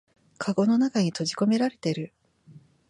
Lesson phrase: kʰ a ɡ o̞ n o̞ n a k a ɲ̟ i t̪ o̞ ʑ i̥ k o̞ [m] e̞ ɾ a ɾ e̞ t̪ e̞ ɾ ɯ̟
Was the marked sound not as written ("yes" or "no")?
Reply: no